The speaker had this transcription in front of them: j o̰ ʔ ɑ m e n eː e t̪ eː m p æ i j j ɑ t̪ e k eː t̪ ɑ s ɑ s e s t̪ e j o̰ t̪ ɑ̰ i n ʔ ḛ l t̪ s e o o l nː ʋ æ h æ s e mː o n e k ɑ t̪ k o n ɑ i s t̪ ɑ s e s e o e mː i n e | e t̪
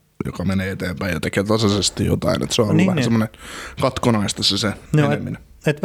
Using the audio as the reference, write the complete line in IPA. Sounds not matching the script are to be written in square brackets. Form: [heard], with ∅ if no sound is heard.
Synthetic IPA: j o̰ [k] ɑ m e n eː e t̪ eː m p æ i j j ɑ t̪ e k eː t̪ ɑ s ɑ s e s t̪ [i] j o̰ t̪ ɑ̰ i n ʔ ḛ [∅] t̪ s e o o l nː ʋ æ h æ s e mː o n e k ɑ t̪ k o n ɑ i s t̪ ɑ s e s e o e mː i n e | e t̪